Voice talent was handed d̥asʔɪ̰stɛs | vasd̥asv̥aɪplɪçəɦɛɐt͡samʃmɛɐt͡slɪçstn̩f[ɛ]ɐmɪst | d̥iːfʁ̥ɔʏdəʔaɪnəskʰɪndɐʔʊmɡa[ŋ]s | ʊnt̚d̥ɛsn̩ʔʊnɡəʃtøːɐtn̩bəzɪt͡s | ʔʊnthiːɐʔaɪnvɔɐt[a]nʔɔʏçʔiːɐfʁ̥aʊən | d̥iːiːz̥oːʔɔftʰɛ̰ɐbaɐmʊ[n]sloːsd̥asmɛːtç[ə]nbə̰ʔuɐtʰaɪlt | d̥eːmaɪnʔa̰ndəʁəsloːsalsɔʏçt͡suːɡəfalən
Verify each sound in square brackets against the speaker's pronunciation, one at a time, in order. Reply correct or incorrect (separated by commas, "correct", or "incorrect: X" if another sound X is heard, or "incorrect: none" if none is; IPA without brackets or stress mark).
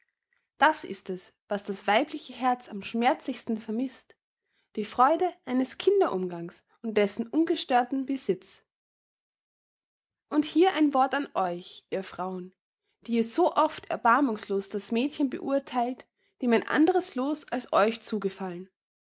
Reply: correct, correct, correct, incorrect: ŋ, correct